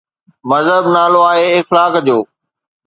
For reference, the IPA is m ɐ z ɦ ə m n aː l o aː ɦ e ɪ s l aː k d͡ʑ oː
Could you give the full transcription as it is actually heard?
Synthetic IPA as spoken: m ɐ z ɦ ə b n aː l o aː ɦ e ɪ x l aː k d͡ʑ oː